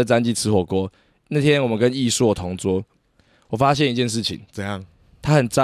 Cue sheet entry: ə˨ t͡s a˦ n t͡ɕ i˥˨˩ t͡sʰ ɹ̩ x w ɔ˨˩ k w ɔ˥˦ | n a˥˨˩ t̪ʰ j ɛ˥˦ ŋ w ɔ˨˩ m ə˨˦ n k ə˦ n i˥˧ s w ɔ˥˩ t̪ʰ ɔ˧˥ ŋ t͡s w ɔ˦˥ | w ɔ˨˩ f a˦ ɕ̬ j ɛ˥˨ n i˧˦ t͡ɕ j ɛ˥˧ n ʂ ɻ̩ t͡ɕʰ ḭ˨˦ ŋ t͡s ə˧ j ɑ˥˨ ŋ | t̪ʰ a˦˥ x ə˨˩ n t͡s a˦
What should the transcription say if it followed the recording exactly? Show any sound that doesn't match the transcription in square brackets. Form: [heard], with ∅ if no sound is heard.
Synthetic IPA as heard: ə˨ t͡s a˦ n t͡ɕ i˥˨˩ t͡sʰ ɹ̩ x w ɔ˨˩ k w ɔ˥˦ | n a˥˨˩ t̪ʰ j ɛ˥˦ [n] w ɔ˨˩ m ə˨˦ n k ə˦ n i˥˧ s w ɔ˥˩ t̪ʰ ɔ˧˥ ŋ t͡s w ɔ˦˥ | w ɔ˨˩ f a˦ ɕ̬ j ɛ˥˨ n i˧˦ t͡ɕ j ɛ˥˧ n ʂ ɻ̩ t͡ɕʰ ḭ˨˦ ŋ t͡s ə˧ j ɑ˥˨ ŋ | t̪ʰ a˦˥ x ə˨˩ n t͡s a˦